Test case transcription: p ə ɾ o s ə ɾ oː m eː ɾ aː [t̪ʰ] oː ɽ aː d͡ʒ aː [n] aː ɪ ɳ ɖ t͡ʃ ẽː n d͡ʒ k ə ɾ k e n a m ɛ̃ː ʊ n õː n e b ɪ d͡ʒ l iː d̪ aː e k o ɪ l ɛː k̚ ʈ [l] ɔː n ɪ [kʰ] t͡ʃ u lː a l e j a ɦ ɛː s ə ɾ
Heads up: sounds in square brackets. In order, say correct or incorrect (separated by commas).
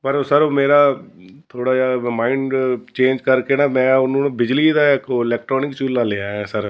correct, incorrect, incorrect, incorrect